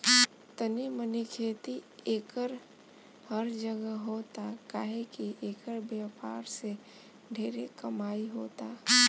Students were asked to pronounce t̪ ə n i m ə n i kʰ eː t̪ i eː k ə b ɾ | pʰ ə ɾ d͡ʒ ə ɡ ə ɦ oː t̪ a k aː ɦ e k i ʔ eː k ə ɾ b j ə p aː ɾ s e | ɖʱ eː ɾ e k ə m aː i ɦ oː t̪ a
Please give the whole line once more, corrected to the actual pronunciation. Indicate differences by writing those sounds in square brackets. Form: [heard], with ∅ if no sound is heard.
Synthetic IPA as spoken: t̪ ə n i m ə n i kʰ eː t̪ i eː k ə [∅] ɾ | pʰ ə ɾ d͡ʒ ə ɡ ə ɦ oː t̪ a k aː ɦ e k i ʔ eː k ə ɾ b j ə p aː ɾ s e | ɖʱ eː ɾ e k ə m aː i ɦ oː t̪ a